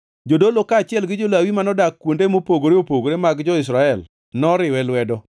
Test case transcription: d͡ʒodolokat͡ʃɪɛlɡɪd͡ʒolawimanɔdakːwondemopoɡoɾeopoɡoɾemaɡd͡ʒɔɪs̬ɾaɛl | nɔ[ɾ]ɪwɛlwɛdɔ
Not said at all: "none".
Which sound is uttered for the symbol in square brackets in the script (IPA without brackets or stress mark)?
ɾ